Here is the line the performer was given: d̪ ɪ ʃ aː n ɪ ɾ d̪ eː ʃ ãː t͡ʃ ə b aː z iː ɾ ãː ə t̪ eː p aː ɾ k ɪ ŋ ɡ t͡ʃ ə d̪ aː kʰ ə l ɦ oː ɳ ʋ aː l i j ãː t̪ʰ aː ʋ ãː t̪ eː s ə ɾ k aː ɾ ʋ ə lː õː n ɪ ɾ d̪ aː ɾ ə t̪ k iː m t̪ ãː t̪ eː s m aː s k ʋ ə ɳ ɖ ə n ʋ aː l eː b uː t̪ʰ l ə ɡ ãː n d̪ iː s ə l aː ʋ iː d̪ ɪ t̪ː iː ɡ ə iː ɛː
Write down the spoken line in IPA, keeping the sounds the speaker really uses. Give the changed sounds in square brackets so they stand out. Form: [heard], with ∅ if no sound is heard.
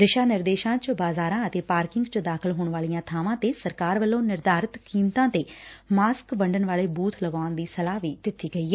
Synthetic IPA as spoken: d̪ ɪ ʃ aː n ɪ ɾ d̪ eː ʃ ãː t͡ʃ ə b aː z [aː] ɾ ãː ə t̪ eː p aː ɾ k ɪ ŋ ɡ t͡ʃ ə d̪ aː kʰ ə l ɦ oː ɳ ʋ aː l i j ãː t̪ʰ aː ʋ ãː t̪ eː s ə ɾ k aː ɾ ʋ ə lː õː n ɪ ɾ d̪ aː ɾ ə t̪ k iː m t̪ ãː t̪ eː [∅] m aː s k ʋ ə ɳ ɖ ə n ʋ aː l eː b uː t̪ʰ l ə ɡ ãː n d̪ iː s ə l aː ʋ iː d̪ ɪ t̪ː iː ɡ ə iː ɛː